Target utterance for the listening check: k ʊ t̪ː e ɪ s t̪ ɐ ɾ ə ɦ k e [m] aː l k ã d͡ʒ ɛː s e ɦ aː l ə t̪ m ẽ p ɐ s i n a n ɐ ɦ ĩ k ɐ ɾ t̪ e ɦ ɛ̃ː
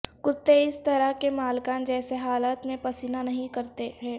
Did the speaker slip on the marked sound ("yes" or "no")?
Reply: no